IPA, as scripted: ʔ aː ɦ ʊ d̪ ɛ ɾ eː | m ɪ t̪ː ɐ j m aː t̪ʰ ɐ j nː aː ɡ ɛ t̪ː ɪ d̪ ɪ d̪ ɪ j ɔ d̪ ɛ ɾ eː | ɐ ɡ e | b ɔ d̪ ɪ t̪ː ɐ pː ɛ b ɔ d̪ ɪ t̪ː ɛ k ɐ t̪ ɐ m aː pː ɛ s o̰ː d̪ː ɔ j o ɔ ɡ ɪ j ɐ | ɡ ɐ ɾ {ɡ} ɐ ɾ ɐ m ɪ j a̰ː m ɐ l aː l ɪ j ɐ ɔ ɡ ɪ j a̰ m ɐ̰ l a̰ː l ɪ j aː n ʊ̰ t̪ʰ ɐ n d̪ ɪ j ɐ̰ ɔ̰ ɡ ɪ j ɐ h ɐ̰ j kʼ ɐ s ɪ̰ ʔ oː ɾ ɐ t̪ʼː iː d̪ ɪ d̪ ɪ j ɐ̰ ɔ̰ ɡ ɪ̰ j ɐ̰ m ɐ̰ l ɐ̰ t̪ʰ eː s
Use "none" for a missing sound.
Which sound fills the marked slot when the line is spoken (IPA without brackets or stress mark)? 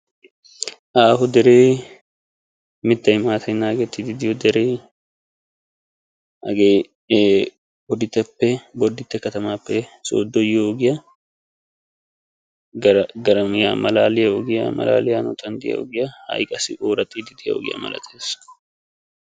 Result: ɡ